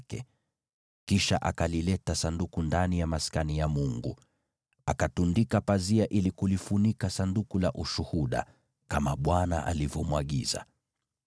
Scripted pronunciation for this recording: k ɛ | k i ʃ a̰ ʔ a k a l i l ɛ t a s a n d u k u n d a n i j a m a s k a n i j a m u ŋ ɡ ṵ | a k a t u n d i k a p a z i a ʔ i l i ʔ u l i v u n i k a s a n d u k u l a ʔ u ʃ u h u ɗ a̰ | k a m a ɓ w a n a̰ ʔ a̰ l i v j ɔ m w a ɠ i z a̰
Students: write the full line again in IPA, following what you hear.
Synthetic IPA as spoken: k ɛ | k i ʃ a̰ ʔ a k a l i l ɛ t a s a n d u k u n d a n i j a m a s k a n i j a m u ŋ ɡ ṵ | a k a t u n d i k a p a z i a ʔ i l i k u l i f u n i k a s a n d u k u l a ʔ u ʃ u h u ɗ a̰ | k a m a ɓ w a n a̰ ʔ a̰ l i v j ɔ m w a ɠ i z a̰